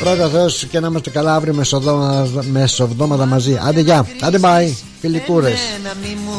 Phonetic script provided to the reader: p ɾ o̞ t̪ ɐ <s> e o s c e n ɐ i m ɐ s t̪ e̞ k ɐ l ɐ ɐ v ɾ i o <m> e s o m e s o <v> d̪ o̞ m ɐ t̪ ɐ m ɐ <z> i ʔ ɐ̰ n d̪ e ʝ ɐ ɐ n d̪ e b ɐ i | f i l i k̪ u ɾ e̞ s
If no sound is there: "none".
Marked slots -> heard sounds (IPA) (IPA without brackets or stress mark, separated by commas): θ, m, v, z